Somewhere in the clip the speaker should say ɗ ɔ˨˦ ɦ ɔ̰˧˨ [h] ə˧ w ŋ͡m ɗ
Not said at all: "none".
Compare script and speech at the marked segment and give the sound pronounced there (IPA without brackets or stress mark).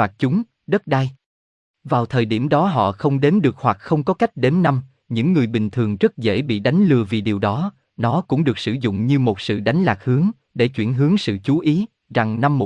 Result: x